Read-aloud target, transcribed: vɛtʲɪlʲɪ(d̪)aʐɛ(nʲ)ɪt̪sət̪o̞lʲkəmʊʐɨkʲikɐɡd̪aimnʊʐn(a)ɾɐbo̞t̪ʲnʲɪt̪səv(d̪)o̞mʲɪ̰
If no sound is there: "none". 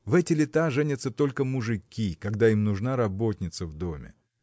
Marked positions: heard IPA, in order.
t̪, nʲ, a, d̪

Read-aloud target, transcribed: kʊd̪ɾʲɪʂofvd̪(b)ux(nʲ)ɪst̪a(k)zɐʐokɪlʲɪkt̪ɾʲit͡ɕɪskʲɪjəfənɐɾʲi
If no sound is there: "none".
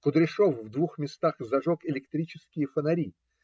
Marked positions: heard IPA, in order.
v, mʲ, x

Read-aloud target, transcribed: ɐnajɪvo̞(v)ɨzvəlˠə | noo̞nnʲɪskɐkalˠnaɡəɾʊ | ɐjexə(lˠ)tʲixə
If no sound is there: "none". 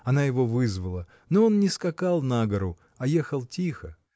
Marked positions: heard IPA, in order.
v, lˠ

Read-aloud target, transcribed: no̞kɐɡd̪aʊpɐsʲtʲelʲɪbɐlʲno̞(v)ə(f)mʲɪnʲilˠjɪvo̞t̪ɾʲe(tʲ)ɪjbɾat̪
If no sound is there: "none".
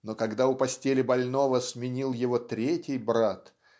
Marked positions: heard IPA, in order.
v, s, tʲ

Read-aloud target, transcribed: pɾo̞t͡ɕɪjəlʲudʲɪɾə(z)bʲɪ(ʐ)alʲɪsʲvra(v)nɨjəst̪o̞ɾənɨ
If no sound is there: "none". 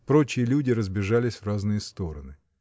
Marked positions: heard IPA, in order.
z, ʐ, z

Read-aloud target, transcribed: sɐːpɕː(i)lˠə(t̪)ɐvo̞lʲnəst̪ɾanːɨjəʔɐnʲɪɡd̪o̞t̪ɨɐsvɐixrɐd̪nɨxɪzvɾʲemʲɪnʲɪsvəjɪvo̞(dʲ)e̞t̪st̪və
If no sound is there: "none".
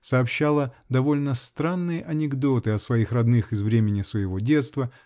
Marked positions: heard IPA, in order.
a, d̪, dʲ

